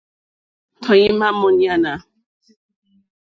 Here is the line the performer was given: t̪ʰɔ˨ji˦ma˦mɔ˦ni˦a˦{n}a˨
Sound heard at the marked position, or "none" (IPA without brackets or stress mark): n